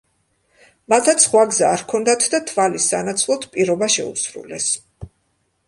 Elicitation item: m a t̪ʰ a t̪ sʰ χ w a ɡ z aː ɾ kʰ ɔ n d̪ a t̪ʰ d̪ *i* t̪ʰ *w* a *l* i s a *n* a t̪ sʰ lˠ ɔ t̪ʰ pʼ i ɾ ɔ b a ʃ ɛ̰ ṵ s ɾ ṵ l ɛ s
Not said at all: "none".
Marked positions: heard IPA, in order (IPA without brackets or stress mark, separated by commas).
a, v, l, n